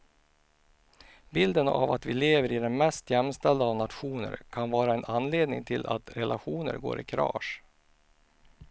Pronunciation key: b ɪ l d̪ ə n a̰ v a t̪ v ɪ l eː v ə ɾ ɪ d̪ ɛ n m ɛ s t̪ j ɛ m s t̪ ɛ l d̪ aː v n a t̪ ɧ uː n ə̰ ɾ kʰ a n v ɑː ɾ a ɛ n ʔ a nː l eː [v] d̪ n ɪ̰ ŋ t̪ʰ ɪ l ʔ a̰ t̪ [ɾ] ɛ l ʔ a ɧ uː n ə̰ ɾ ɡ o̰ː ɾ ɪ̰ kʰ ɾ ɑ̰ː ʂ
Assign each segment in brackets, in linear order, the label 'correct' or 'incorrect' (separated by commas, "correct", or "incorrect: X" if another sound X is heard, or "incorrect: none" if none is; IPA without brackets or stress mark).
incorrect: none, correct